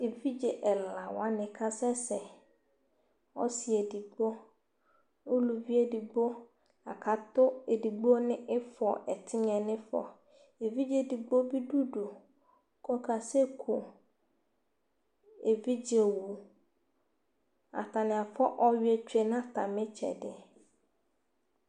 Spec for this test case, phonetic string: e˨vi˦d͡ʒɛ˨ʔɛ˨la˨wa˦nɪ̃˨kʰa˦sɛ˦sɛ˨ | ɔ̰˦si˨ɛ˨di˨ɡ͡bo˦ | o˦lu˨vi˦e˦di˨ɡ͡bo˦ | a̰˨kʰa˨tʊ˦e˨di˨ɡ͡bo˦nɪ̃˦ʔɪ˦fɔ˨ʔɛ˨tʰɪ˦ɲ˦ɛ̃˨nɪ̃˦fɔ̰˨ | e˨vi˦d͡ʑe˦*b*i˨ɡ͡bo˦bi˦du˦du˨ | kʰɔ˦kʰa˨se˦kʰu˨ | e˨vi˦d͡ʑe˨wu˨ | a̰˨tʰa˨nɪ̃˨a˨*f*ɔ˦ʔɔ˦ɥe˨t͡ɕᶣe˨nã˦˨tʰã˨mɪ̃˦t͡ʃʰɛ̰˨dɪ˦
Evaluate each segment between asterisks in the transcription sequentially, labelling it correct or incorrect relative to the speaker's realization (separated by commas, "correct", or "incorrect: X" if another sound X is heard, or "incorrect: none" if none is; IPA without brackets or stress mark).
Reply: incorrect: d, correct